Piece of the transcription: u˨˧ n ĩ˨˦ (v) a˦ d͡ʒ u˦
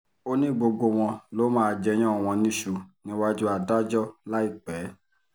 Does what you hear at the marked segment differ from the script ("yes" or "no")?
yes